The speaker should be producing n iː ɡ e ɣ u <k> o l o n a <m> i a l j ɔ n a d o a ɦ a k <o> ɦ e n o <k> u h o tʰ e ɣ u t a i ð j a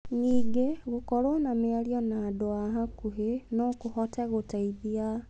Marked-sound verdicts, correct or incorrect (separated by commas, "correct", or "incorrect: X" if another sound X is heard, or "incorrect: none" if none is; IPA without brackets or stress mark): correct, correct, incorrect: u, correct